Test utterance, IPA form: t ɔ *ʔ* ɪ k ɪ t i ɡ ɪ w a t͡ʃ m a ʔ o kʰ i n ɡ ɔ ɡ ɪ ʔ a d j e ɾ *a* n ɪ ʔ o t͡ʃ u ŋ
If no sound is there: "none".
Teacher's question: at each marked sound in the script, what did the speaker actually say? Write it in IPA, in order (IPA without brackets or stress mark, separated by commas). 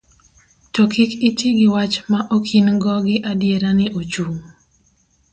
k, a